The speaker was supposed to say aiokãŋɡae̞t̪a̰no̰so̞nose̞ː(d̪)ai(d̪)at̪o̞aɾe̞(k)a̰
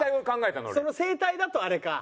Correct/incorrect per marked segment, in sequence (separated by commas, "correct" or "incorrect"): incorrect, correct, correct